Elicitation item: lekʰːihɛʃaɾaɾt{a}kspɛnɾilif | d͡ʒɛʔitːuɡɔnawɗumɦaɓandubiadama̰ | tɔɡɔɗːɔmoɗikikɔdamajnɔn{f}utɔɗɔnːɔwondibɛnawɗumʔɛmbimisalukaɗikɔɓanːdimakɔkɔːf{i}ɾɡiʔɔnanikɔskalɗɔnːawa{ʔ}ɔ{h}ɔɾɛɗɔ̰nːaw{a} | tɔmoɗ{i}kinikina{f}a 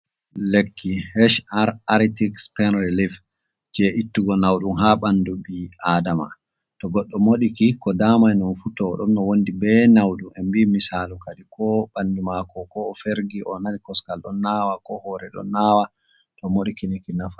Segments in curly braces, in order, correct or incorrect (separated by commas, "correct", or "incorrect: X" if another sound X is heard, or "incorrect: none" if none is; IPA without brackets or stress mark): incorrect: i, correct, incorrect: e, incorrect: k, correct, correct, correct, correct